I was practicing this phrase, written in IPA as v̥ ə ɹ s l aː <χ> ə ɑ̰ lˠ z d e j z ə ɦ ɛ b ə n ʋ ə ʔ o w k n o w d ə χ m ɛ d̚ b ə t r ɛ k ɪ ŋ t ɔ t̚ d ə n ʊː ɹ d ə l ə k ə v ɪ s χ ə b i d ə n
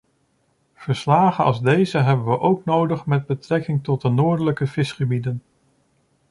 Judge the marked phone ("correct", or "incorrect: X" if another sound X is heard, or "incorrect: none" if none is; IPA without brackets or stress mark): correct